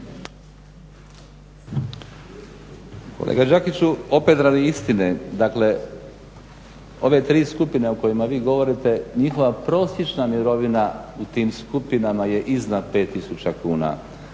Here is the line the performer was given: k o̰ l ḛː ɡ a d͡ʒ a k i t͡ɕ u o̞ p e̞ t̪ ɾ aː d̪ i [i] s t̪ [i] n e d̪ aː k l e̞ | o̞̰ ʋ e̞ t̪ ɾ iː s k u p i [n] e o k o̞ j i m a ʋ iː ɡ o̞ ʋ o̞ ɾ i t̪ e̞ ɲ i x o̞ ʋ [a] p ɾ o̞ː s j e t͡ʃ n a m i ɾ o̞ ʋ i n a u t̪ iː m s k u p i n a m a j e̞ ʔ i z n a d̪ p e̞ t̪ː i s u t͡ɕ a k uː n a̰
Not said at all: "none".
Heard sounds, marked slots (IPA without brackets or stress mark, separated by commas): i, i, n, a